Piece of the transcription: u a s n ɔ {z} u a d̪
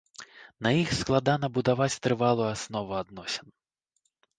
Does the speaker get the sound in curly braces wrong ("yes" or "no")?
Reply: yes